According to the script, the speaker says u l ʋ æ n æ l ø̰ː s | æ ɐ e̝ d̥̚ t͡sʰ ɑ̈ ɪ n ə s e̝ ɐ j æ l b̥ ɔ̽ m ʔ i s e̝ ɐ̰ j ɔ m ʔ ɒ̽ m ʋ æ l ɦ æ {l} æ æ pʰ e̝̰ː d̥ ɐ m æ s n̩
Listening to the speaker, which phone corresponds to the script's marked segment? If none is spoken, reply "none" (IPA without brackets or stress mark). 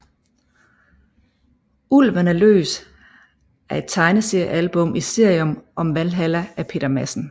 l